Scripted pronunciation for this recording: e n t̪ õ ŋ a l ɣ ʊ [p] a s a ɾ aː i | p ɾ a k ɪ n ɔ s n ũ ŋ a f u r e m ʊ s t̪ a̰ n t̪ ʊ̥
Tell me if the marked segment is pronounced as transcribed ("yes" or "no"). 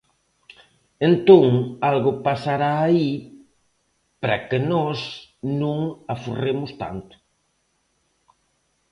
yes